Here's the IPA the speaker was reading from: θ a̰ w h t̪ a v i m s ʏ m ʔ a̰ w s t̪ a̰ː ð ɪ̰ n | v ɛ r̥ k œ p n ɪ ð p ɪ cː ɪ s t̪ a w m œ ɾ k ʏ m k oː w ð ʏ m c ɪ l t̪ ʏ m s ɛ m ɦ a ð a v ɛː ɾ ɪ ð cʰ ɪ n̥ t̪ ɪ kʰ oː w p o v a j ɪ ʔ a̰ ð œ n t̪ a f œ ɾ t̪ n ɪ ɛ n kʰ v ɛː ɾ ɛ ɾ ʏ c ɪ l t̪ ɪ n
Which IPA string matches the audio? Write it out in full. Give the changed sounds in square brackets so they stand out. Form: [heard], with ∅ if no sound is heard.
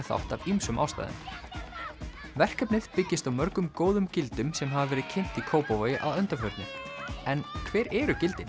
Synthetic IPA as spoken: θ a̰ w h t̪ a v i m s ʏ m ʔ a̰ w s t̪ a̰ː ð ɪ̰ n | v ɛ r̥ k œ p n ɪ ð p ɪ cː ɪ s t̪ a w m œ ɾ k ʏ m k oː w ð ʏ m c ɪ l t̪ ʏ m s ɛ m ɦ a [v] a v ɛː ɾ ɪ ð cʰ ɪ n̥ t̪ [i] kʰ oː w p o v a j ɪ ʔ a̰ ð œ n t̪ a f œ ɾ t̪ n ɪ ɛ n kʰ v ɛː ɾ ɛ ɾ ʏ c ɪ l t̪ ɪ n